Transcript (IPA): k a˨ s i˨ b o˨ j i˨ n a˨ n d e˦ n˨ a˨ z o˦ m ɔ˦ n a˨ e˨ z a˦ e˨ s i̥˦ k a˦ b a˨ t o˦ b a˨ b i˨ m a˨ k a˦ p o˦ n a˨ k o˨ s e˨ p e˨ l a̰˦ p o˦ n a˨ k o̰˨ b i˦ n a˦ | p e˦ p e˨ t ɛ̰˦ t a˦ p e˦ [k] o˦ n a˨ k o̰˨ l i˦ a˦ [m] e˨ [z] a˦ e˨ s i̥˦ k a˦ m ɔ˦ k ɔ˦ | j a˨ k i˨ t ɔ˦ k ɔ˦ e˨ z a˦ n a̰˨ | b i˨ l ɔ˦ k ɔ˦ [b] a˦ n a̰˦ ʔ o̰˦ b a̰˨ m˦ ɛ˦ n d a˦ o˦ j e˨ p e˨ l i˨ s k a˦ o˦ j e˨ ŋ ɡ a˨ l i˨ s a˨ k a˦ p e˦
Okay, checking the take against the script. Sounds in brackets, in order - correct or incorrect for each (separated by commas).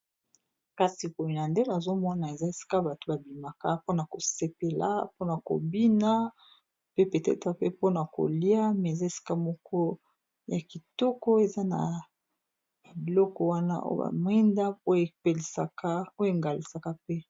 incorrect, correct, correct, incorrect